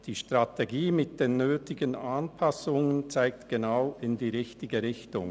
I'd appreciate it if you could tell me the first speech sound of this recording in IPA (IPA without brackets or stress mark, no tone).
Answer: d̥